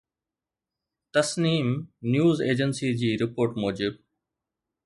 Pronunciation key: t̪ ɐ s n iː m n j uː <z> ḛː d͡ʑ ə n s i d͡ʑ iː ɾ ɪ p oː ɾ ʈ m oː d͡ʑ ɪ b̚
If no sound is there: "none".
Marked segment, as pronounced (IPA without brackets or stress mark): z